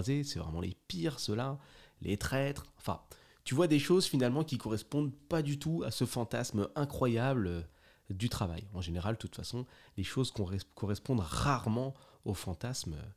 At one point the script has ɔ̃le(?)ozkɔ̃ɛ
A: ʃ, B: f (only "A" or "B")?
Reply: A